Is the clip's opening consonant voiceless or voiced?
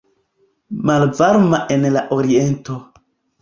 voiced